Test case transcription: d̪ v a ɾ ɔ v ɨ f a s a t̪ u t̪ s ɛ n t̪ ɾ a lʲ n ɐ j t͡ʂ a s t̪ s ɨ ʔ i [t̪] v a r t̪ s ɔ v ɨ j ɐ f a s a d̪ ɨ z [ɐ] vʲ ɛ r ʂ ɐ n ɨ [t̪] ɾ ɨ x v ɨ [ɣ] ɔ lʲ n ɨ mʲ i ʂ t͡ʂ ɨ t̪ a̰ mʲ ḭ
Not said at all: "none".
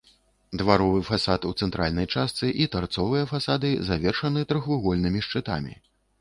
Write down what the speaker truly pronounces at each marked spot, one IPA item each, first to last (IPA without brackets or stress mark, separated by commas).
t̪, a, t̪, ɣ